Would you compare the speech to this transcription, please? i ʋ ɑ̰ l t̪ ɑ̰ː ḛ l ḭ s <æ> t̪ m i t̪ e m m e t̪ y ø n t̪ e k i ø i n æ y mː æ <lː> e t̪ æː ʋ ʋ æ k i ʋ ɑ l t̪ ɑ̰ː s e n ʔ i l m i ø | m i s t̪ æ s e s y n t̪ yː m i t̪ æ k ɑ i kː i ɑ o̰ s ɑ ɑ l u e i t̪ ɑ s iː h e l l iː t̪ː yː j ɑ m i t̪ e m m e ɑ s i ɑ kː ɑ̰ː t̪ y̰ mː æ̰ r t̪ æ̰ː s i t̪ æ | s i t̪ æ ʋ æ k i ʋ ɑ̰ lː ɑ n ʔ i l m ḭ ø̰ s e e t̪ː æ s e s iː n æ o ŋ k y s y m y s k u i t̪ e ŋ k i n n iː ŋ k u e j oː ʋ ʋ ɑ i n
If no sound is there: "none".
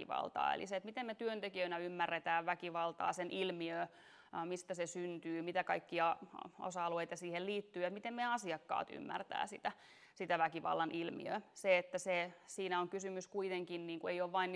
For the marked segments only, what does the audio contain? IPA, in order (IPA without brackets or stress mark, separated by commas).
e, rː